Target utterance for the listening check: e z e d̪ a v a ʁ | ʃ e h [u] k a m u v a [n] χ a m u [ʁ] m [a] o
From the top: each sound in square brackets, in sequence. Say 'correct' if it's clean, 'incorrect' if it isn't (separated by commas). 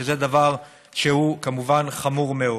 correct, correct, correct, incorrect